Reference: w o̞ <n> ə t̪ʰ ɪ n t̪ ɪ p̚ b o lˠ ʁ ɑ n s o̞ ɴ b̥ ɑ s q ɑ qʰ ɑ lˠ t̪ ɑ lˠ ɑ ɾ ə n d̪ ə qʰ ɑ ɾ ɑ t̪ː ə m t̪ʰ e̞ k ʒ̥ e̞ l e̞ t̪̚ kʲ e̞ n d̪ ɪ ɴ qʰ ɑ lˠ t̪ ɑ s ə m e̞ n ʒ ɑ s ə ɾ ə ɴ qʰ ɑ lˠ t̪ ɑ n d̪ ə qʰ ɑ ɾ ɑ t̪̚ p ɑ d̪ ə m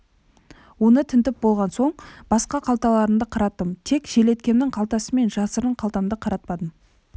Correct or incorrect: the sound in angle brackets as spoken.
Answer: correct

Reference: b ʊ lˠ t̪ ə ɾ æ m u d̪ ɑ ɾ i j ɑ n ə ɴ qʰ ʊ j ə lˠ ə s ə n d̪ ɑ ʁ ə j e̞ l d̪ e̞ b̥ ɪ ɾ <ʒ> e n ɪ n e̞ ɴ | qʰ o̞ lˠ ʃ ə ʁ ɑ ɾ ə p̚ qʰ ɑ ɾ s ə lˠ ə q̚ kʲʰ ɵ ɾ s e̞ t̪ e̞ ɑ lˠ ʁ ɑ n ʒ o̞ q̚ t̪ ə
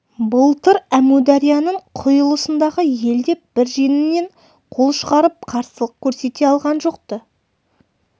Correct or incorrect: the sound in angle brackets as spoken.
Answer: correct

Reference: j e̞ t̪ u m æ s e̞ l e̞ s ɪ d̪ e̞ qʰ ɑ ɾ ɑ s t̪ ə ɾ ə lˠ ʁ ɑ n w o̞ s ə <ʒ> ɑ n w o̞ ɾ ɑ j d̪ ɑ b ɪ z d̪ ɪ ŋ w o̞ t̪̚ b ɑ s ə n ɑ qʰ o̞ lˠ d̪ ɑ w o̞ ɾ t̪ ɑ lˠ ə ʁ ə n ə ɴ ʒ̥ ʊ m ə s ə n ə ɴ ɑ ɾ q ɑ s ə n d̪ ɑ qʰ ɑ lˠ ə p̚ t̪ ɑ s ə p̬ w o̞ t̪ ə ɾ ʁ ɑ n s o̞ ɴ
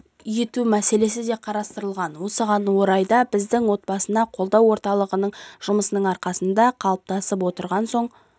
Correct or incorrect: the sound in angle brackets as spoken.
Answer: incorrect: ʁ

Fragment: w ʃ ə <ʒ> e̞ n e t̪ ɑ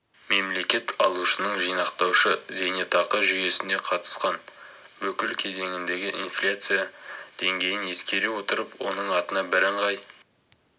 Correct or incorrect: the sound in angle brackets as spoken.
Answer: incorrect: z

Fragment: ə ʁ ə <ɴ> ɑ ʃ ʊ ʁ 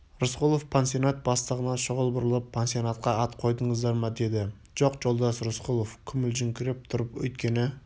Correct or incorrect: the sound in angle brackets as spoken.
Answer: incorrect: n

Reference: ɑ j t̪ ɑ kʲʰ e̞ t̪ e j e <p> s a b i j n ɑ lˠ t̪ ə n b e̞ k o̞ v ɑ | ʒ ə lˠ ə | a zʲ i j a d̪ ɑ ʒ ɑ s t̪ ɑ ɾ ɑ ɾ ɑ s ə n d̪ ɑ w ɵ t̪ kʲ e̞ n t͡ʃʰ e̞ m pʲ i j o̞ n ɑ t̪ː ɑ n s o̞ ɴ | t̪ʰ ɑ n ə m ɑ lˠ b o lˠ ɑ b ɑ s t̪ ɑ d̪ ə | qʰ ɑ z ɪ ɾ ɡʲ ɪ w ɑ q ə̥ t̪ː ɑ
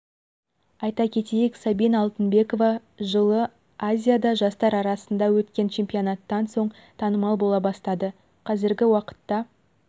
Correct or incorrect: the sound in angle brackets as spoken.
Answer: incorrect: k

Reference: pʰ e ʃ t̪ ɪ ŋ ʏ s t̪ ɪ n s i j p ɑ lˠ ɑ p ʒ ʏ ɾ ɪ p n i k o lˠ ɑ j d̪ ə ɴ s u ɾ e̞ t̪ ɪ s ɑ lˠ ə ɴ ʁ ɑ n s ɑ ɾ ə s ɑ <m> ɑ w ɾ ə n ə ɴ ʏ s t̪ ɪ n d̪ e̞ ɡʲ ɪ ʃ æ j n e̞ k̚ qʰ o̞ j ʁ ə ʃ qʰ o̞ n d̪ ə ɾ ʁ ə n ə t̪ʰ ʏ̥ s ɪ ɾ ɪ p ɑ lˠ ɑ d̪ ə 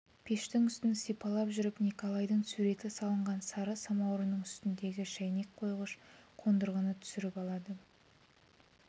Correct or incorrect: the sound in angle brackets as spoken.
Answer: correct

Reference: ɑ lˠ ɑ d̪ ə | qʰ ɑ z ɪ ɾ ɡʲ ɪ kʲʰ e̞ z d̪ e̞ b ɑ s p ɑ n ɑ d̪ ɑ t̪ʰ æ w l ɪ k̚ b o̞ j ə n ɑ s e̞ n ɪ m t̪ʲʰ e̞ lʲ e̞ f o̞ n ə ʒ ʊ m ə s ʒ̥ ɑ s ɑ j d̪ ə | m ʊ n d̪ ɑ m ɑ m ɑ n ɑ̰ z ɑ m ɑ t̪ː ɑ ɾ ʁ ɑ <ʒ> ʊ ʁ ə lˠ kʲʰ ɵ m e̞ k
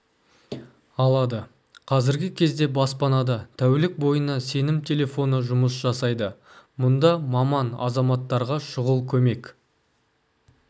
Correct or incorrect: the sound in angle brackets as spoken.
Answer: incorrect: ʃ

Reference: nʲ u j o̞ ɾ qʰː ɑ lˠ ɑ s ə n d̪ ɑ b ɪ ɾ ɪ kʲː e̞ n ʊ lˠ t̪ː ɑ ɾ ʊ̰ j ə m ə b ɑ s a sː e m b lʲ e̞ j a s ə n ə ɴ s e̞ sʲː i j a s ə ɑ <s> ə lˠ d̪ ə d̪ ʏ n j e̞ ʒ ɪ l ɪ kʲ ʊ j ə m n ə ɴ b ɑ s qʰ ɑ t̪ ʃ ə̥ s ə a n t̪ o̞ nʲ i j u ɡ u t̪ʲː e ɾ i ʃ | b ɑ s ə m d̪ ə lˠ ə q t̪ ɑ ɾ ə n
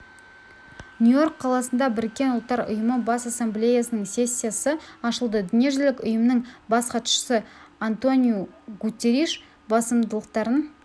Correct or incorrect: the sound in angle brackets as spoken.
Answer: incorrect: ʃ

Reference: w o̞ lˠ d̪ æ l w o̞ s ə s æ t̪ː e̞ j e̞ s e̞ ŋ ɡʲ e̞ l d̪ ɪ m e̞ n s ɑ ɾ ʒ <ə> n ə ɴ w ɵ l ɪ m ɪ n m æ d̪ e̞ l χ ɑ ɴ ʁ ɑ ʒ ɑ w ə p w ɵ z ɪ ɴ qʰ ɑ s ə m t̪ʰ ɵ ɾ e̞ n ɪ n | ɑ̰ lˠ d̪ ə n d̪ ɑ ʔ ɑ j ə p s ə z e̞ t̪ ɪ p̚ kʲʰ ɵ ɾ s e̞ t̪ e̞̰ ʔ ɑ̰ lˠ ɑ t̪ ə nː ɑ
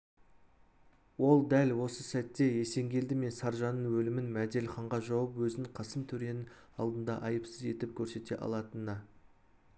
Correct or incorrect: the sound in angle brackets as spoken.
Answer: incorrect: ɑ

